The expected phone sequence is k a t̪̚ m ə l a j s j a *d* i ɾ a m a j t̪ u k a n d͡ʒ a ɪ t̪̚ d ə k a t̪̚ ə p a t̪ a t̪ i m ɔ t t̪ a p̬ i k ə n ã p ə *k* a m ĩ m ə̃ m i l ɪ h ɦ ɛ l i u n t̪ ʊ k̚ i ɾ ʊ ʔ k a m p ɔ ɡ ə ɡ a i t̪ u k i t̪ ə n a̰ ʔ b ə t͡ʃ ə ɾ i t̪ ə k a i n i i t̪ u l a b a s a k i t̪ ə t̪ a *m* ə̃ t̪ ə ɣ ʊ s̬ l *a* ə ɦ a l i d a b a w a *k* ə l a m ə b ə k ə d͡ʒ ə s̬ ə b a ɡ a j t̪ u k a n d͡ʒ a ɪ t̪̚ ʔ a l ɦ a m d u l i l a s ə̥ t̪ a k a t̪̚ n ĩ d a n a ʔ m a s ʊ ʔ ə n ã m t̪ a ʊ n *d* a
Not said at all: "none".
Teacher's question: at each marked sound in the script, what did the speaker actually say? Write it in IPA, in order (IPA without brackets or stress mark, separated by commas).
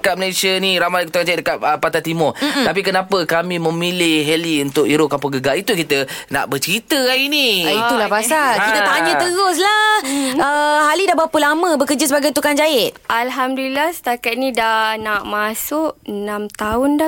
n, k, ɲ, a, p, d